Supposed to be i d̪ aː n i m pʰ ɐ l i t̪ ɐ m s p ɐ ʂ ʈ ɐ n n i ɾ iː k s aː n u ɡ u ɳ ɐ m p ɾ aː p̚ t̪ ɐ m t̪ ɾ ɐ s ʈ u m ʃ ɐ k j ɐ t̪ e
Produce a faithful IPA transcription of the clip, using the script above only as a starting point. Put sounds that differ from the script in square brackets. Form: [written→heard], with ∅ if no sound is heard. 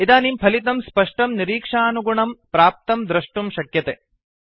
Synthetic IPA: i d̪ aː n i m pʰ ɐ l i t̪ ɐ m s p ɐ ʂ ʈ ɐ [n→m] n i ɾ iː k [s→ʂ] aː n u ɡ u ɳ ɐ m p ɾ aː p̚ t̪ ɐ m [t̪→d̪] ɾ ɐ [s→ʂ] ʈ u m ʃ ɐ k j ɐ t̪ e